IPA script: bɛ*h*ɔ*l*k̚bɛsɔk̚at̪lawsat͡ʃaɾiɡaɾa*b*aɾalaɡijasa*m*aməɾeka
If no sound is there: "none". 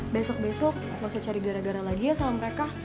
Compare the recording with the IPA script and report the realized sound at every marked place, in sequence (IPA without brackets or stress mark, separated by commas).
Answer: s, none, ɡ, m